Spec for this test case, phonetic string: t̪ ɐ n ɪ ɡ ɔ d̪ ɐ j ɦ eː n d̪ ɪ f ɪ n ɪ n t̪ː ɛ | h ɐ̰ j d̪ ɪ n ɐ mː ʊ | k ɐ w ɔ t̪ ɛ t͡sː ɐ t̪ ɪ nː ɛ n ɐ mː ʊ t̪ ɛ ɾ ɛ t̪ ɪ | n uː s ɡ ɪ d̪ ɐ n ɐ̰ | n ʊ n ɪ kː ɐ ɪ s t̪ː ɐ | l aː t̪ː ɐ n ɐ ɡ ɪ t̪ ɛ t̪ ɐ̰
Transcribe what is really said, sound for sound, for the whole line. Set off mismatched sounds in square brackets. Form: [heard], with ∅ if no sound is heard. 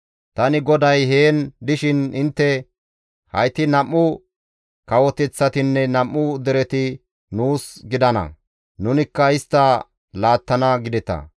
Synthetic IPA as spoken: t̪ ɐ n ɪ ɡ ɔ d̪ ɐ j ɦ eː n d̪ ɪ [ʃ] ɪ n ɪ n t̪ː ɛ | h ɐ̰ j [t̪] ɪ n ɐ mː ʊ | k ɐ w ɔ t̪ ɛ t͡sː ɐ t̪ ɪ nː ɛ n ɐ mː ʊ [d̪] ɛ ɾ ɛ t̪ ɪ | n uː s ɡ ɪ d̪ ɐ n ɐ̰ | n ʊ n ɪ kː ɐ ɪ s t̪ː ɐ | l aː t̪ː ɐ n ɐ ɡ ɪ [d̪] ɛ t̪ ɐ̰